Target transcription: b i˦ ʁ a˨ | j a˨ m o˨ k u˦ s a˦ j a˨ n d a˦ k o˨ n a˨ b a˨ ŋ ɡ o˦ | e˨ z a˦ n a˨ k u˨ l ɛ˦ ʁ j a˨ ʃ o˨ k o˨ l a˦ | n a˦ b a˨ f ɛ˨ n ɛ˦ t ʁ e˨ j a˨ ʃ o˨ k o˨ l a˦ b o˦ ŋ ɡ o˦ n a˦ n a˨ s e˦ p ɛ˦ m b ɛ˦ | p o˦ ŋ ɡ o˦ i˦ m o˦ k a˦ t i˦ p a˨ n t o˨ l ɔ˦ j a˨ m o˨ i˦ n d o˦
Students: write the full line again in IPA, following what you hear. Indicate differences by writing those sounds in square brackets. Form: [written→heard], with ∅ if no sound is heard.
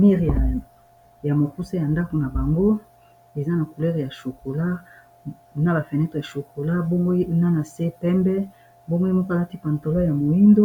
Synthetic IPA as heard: [b→m] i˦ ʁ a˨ | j a˨ m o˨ k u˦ s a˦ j a˨ n d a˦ k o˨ n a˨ b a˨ ŋ ɡ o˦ | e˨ z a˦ n a˨ k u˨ l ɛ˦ ʁ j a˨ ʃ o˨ k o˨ l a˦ | n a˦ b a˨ f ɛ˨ n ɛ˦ t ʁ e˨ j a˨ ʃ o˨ k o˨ l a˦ b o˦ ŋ ɡ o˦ n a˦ n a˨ s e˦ p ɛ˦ m b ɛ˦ | [p→b] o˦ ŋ ɡ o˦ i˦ m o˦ k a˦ t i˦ p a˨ n t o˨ l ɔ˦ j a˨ m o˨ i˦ n d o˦